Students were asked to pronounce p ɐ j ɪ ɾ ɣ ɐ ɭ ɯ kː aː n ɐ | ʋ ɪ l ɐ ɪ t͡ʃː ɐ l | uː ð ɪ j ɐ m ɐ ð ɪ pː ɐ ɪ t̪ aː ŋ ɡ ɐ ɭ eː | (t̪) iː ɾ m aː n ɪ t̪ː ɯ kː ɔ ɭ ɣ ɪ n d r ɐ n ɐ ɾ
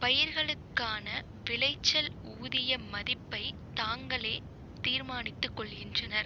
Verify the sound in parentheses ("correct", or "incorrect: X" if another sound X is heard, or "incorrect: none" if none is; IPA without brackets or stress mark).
correct